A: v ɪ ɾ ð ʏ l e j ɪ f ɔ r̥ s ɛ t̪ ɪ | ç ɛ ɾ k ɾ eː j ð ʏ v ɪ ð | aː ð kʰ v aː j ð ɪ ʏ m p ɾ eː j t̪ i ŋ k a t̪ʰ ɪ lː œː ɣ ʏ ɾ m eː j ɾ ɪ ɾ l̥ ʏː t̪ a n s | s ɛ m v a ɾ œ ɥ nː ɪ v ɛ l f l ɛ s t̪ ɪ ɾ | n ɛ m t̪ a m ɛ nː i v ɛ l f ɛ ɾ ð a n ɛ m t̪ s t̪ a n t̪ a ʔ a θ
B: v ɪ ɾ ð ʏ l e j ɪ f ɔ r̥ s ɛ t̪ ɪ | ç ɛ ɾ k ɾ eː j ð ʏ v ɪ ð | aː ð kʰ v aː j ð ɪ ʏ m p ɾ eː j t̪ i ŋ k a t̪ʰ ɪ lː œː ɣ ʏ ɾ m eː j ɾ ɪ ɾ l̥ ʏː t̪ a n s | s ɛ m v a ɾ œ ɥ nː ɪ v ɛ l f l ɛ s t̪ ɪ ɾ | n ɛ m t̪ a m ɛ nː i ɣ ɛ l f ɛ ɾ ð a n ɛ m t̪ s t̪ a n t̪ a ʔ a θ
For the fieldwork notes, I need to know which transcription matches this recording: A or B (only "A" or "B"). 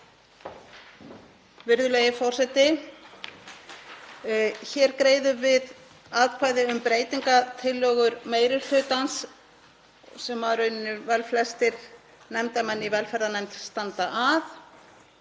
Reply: A